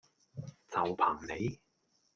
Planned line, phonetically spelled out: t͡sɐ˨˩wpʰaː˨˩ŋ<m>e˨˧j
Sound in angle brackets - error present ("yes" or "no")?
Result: yes